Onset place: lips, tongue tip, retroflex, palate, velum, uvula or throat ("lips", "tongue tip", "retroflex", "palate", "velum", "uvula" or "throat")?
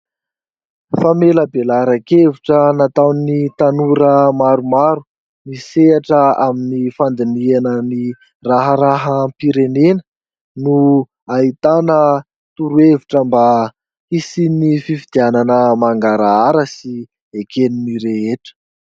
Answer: lips